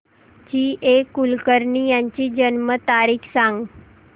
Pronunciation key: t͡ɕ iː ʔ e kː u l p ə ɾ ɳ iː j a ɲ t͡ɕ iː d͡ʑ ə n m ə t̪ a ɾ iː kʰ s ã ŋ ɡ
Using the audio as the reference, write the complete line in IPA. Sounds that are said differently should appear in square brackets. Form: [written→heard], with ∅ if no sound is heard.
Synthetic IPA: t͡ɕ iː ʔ e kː u l [p→k] ə ɾ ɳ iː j a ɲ t͡ɕ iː d͡ʑ ə n m ə t̪ a ɾ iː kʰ s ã ŋ ɡ